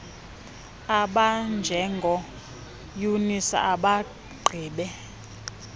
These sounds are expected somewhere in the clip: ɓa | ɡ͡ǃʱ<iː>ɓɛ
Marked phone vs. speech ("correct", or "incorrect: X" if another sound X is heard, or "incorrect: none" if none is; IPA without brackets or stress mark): correct